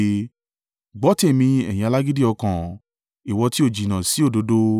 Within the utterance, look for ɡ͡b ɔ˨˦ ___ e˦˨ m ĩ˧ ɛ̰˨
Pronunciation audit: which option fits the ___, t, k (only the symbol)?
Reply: t